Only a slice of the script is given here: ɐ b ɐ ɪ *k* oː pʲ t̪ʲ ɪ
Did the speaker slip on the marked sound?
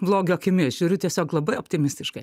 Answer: yes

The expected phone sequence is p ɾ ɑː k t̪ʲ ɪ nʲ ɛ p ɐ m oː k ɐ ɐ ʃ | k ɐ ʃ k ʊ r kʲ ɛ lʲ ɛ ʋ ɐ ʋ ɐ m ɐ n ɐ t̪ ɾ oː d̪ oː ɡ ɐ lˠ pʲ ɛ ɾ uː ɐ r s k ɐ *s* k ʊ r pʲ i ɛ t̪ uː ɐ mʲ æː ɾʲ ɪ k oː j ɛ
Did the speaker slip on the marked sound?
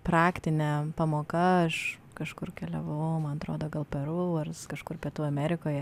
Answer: yes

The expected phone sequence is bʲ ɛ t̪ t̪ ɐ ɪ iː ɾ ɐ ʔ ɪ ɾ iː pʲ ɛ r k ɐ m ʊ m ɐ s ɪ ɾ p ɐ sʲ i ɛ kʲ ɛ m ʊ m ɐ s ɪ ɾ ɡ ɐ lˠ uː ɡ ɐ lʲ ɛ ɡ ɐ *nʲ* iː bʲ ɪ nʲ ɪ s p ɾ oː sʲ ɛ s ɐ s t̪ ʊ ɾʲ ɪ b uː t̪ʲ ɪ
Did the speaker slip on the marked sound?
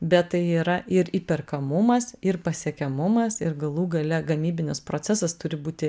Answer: yes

